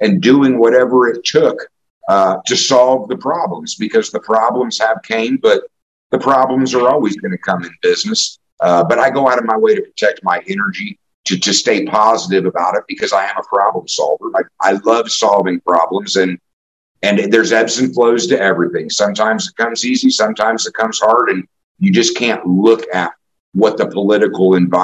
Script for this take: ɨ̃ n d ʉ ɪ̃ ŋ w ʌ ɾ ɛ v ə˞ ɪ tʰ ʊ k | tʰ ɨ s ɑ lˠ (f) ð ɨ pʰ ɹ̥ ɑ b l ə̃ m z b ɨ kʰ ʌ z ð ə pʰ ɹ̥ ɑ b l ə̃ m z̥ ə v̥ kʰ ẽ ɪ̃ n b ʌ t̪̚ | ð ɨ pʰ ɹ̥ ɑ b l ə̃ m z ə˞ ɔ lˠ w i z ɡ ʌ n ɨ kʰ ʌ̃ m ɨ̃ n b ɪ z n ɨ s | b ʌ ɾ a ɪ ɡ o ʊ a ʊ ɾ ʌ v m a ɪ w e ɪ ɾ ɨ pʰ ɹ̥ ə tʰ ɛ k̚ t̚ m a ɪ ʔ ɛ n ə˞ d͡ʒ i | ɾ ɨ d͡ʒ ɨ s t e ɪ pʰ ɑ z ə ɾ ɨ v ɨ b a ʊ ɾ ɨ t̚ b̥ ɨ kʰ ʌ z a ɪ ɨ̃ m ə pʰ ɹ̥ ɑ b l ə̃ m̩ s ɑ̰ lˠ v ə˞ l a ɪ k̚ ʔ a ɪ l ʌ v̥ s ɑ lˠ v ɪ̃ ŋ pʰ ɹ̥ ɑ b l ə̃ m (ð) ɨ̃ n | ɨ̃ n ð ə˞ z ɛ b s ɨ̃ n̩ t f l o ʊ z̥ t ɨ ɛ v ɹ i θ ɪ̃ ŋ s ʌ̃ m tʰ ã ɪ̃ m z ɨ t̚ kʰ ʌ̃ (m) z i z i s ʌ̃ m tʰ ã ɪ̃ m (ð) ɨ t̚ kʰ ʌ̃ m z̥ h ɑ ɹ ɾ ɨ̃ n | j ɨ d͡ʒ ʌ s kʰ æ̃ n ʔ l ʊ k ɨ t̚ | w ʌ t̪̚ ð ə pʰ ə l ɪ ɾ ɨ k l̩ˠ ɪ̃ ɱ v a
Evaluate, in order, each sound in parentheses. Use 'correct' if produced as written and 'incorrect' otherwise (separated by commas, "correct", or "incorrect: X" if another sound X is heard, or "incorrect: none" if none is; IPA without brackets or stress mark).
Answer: incorrect: v, incorrect: z, correct, incorrect: z